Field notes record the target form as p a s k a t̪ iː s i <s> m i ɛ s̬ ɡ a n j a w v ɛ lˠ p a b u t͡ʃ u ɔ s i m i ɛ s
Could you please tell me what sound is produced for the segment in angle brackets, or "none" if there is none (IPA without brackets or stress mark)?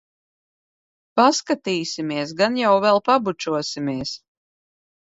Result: none